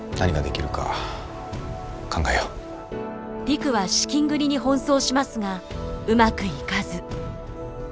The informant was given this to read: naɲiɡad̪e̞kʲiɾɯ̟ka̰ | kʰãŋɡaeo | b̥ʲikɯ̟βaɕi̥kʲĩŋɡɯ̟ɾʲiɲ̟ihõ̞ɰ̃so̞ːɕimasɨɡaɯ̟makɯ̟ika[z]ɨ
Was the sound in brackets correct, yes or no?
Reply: yes